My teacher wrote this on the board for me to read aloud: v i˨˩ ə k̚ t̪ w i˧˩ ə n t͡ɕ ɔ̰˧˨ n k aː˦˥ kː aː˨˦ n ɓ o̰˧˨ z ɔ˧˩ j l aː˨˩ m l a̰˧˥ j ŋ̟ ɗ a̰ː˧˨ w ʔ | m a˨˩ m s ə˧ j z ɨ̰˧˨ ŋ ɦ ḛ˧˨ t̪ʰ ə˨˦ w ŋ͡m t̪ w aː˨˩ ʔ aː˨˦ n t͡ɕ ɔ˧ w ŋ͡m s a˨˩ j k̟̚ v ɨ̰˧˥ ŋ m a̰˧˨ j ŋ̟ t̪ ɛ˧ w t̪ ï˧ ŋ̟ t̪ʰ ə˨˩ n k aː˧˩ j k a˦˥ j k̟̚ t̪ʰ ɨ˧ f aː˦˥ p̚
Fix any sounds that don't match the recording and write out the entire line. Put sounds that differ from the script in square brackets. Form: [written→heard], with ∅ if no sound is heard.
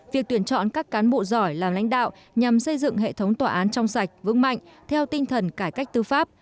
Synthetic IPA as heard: v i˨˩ ə k̚ t̪ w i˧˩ ə n t͡ɕ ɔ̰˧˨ n k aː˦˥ kː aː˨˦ n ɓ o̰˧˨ z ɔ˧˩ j l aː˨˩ m l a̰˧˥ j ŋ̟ ɗ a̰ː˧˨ w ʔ | [m→ɲ] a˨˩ m s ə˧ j z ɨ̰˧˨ ŋ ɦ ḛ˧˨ t̪ʰ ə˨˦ w ŋ͡m t̪ w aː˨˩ ʔ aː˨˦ n t͡ɕ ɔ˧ w ŋ͡m s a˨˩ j k̟̚ v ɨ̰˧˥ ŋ m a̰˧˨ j ŋ̟ [t̪→t̪ʰ] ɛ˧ w t̪ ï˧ ŋ̟ t̪ʰ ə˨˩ n k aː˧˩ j k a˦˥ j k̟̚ [t̪ʰ→t̪] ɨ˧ f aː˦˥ p̚